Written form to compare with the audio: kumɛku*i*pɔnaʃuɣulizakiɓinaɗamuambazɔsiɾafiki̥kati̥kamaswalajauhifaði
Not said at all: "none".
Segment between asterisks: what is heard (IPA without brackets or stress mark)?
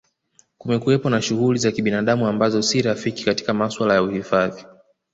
ɛ